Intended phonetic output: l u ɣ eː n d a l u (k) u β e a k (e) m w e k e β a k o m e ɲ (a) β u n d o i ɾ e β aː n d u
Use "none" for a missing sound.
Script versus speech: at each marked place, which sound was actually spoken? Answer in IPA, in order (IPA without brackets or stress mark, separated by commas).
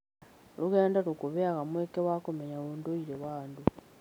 k, a, a